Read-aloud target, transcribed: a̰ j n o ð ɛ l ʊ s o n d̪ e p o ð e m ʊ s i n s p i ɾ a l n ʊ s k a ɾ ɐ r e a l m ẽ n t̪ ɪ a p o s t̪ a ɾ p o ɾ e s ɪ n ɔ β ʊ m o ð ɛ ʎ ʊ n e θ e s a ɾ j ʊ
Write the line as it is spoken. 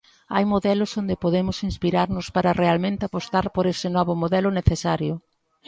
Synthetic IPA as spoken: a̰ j m o ð ɛ l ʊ s o n d̪ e p o ð e m ʊ s i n s p i ɾ a ɾ n ʊ s p a ɾ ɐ r e a l m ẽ n t̪ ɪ a p o s t̪ a ɾ p o ɾ e s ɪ n ɔ β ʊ m o ð ɛ l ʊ n e θ e s a ɾ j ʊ